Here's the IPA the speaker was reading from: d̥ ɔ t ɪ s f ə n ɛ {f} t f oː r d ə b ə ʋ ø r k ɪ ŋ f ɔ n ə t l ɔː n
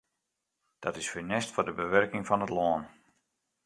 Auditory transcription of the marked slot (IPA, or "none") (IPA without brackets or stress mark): s